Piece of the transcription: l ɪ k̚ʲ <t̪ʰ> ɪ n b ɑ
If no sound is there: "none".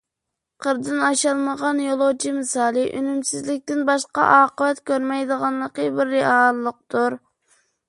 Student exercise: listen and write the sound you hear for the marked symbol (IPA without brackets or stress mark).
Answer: t̪